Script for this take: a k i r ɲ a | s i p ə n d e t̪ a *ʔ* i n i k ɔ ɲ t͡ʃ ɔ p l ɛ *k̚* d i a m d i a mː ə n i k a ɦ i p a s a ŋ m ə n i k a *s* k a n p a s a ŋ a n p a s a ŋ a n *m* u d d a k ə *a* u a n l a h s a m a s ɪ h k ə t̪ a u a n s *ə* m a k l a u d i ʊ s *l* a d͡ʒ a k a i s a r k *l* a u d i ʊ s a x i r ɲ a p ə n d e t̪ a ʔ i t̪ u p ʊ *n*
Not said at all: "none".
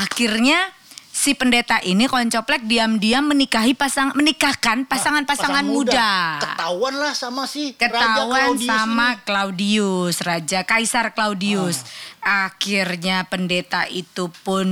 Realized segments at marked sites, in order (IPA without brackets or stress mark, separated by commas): ʔ, k̚, h, m, a, a, r, l, n